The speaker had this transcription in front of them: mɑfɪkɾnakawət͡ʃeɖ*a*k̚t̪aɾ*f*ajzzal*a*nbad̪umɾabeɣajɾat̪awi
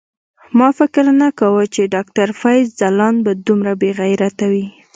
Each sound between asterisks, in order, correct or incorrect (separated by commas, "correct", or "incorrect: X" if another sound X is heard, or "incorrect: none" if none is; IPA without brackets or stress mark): incorrect: ɑ, correct, incorrect: ɑ